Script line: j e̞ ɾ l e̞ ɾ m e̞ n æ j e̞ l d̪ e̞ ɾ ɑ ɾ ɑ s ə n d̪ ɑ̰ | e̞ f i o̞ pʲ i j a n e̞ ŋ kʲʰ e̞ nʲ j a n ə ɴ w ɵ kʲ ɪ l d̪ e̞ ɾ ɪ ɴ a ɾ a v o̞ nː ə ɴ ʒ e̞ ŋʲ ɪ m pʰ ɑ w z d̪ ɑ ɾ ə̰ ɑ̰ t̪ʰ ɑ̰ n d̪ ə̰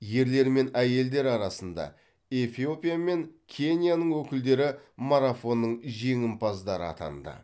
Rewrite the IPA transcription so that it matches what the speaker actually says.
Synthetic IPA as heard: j e̞ ɾ l e̞ ɾ m e̞ n æ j e̞ l d̪ e̞ ɾ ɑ ɾ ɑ s ə n d̪ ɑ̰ | e̞ f i o̞ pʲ i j a m e̞ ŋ kʲʰ e̞ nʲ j a n ə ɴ w ɵ kʲ ɪ l d̪ e̞ ɾ ɪ m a ɾ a f o̞ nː ə ɴ ʒ e̞ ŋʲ ɪ m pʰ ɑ z d̪ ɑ ɾ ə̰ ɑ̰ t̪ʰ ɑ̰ n d̪ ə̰